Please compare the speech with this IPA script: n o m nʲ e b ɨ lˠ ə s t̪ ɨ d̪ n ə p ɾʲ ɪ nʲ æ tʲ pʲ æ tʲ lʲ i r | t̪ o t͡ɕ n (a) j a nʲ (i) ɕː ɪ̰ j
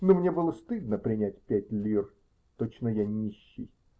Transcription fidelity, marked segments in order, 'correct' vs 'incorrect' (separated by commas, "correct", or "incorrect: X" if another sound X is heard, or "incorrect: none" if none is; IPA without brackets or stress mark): incorrect: ə, correct